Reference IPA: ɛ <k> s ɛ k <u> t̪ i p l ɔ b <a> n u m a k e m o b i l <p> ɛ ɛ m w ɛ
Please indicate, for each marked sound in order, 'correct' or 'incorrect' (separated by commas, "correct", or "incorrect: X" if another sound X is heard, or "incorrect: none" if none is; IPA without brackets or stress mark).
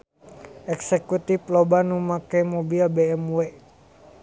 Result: correct, correct, correct, incorrect: b